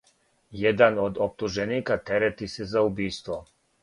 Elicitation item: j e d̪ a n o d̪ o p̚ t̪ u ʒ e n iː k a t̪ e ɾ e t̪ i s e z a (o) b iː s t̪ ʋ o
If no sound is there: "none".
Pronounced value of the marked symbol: u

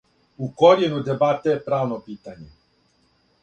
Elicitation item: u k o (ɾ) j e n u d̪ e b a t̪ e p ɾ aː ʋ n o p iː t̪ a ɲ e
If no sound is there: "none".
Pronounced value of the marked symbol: ɾ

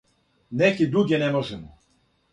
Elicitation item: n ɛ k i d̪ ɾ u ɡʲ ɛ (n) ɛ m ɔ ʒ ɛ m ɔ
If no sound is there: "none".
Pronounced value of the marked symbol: n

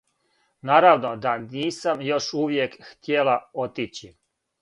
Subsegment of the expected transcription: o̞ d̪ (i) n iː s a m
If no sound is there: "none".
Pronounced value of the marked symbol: a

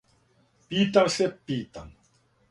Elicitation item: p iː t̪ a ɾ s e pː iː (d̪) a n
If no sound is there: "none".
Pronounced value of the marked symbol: t̪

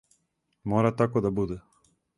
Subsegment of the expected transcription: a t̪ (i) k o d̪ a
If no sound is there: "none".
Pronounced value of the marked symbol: a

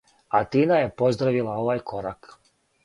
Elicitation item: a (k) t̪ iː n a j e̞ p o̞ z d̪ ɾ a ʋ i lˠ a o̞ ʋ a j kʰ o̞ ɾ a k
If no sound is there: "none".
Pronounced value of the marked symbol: none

